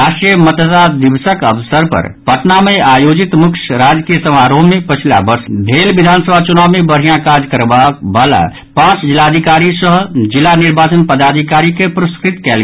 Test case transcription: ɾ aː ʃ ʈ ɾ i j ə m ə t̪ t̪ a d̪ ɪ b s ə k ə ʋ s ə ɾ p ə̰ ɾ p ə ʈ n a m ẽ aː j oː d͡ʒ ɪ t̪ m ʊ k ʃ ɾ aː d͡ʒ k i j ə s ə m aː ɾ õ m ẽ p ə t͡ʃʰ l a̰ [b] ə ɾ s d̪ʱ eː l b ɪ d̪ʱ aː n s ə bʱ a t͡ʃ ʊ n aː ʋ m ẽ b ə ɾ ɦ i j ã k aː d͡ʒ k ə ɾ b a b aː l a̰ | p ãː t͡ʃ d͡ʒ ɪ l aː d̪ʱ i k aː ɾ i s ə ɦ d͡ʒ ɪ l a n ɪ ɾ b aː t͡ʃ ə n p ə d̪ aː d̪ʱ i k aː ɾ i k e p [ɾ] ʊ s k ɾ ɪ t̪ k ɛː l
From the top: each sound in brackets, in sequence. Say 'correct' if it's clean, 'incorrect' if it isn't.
correct, correct

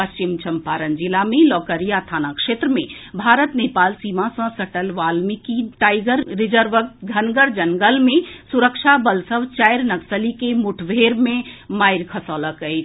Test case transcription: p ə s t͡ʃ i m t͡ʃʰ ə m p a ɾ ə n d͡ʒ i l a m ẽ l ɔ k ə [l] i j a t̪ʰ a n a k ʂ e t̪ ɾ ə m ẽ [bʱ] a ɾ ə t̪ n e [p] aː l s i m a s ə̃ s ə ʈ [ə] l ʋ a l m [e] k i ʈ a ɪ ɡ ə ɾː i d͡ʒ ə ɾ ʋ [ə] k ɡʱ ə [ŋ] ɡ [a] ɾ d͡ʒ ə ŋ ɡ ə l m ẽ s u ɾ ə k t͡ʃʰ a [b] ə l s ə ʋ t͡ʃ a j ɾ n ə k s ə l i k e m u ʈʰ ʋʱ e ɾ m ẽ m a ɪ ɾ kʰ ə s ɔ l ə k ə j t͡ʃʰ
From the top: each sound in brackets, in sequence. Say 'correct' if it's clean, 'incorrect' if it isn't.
incorrect: ɾ, correct, correct, correct, incorrect: i, correct, incorrect: n, incorrect: ə, correct

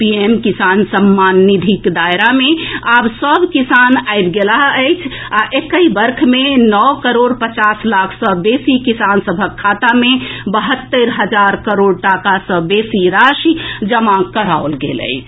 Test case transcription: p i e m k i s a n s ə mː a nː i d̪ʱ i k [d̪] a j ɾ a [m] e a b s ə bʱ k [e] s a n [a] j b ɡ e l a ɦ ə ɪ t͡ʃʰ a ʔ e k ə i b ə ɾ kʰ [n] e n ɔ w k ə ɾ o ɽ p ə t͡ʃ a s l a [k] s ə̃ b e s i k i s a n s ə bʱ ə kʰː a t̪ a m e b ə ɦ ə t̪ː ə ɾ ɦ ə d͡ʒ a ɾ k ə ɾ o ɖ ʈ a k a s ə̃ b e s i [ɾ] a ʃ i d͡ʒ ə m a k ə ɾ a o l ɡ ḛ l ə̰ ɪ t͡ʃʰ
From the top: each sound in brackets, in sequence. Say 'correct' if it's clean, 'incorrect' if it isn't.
correct, correct, incorrect: i, correct, incorrect: m, incorrect: kʰ, correct

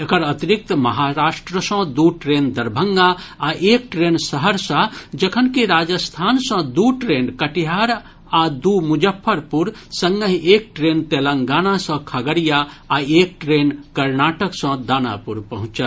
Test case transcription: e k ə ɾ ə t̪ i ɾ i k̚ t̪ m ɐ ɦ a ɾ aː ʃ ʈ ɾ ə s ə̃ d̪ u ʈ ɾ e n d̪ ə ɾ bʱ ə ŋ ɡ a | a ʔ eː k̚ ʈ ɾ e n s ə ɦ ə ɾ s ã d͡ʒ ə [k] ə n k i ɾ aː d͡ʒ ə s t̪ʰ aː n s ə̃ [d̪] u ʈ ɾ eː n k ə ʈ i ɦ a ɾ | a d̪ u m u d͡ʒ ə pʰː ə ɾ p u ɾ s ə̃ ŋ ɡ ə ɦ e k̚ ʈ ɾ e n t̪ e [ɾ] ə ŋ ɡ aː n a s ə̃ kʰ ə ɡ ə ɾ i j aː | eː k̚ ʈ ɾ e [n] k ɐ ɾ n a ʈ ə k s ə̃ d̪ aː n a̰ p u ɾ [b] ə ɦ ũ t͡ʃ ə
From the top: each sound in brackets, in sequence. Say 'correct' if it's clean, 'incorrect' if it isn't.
incorrect: kʰ, correct, incorrect: l, correct, incorrect: p

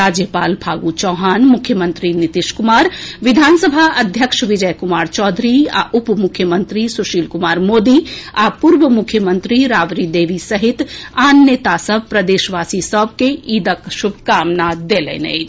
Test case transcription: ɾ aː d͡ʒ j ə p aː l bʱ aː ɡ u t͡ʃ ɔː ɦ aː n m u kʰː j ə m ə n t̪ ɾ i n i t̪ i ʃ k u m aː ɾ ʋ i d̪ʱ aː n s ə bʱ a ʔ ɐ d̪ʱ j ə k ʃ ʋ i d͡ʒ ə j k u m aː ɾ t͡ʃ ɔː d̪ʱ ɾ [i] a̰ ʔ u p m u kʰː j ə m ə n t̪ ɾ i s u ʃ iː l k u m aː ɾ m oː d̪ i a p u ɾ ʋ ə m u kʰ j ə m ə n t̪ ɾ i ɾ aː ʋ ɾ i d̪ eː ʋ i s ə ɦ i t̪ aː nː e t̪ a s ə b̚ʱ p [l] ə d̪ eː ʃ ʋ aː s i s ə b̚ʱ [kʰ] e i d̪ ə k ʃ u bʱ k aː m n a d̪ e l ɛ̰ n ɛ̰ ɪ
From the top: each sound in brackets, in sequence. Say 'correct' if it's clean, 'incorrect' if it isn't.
correct, incorrect: ɾ, incorrect: k

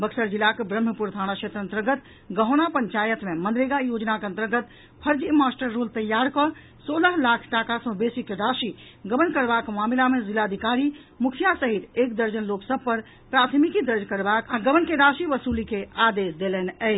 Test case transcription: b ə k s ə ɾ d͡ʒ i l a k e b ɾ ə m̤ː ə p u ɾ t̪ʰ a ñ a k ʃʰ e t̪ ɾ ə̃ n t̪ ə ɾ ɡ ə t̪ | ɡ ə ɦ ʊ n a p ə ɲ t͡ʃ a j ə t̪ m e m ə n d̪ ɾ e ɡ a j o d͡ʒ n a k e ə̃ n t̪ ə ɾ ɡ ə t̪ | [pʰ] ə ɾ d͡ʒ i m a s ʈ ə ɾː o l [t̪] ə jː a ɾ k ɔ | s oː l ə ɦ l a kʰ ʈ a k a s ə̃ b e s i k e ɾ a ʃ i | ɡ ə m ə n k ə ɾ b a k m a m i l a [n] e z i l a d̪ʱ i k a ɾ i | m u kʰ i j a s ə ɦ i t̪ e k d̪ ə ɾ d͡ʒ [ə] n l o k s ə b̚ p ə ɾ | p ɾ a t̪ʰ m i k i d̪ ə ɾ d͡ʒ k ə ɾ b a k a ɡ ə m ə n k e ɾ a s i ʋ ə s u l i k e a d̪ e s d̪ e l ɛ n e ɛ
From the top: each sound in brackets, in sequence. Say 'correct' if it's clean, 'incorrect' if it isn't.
correct, correct, incorrect: m, correct

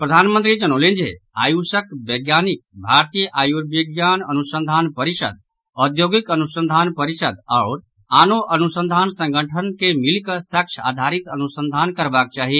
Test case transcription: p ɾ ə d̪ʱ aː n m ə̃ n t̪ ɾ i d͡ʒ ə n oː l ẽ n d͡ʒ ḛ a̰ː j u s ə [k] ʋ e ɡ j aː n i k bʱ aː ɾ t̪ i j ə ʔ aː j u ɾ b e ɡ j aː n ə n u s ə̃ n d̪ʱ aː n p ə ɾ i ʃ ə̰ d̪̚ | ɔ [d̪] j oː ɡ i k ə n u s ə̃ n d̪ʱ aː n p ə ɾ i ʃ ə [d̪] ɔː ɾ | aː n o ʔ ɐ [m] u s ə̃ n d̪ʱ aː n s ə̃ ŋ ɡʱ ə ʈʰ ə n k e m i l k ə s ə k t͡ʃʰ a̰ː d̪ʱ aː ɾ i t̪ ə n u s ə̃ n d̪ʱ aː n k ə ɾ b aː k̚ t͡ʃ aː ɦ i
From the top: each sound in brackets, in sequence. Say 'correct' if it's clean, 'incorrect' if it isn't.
correct, correct, correct, incorrect: n

